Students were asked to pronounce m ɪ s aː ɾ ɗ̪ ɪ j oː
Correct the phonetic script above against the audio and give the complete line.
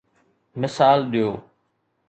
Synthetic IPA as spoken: m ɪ s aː l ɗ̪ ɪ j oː